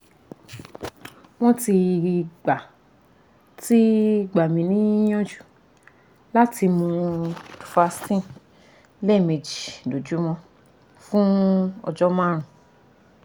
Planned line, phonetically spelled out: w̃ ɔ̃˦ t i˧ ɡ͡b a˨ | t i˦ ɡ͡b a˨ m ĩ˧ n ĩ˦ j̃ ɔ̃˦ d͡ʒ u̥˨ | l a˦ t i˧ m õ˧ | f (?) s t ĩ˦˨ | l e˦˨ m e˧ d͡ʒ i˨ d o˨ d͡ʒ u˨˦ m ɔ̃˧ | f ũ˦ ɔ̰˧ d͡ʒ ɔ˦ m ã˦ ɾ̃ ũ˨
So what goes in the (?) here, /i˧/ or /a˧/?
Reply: a˧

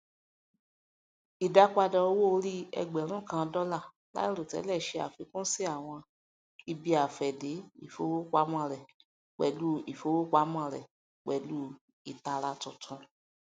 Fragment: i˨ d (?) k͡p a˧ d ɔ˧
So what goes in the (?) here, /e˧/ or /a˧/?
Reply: a˧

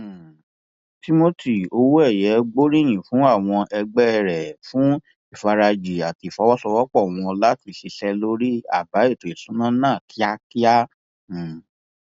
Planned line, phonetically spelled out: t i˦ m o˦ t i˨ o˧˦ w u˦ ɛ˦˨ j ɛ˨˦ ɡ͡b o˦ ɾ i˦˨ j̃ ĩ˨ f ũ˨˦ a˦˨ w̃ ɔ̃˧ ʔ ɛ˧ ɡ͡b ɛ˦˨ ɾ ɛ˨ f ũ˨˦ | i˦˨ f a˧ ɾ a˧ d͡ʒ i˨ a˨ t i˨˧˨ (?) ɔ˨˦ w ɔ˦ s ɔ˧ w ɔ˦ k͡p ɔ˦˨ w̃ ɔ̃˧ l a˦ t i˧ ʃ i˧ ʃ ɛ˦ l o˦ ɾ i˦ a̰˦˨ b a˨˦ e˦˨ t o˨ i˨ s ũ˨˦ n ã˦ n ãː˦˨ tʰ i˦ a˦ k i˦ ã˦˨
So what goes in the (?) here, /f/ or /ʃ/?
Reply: f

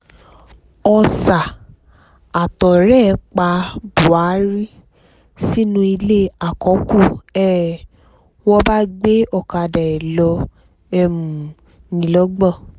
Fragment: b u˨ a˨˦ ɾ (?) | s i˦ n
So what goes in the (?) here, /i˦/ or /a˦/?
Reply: i˦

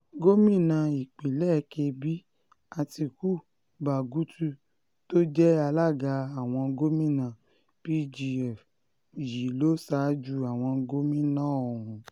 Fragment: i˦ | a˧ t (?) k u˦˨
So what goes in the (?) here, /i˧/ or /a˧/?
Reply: i˧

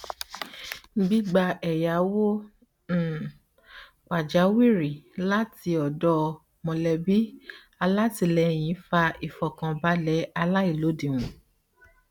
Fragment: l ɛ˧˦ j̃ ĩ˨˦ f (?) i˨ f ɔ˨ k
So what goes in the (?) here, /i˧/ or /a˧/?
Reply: a˧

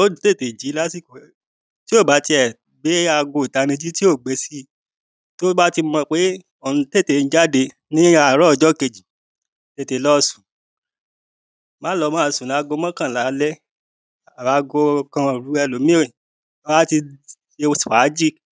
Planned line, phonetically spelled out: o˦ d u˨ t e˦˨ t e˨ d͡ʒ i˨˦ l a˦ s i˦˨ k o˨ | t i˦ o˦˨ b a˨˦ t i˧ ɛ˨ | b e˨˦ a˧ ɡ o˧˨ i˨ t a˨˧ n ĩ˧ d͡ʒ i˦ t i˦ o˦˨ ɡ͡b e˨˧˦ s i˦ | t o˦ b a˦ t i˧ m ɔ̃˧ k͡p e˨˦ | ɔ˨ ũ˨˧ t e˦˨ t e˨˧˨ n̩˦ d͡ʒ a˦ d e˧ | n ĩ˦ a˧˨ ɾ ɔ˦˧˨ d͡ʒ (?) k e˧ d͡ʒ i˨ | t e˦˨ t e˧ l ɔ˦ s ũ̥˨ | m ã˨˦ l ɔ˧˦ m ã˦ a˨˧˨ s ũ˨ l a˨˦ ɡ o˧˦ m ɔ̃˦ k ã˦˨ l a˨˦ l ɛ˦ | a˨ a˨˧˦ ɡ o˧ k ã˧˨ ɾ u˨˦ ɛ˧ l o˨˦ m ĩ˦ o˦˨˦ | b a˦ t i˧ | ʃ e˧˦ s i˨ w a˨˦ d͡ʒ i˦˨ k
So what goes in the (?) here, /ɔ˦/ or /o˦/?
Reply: ɔ˦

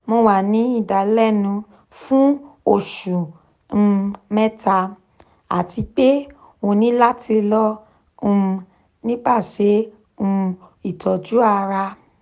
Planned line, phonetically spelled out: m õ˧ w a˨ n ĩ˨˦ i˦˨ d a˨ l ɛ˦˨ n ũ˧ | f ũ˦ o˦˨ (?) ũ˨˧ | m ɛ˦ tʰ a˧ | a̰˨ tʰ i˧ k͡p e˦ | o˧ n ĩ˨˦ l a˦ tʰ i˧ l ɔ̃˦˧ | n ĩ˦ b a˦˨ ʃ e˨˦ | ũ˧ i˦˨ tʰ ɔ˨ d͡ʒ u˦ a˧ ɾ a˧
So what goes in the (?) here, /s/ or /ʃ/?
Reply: ʃ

